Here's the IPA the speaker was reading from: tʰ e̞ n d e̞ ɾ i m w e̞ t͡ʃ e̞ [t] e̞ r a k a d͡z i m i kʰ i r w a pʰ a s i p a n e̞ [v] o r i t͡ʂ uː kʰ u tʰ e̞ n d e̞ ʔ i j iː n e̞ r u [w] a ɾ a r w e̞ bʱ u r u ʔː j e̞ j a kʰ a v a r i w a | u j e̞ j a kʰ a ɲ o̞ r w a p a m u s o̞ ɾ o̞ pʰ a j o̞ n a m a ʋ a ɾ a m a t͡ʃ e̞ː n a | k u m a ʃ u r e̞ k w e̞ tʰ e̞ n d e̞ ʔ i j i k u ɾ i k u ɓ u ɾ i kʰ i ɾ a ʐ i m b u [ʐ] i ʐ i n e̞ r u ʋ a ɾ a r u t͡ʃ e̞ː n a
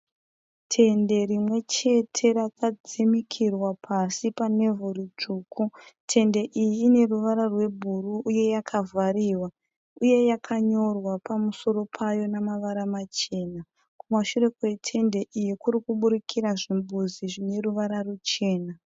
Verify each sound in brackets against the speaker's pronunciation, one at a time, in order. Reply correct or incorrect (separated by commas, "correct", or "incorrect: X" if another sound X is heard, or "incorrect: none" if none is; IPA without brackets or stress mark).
incorrect: tʰ, correct, incorrect: ʋ, incorrect: z